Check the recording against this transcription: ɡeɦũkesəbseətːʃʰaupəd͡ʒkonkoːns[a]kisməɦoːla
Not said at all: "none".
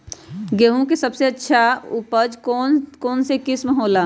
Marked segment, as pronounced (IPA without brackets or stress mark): e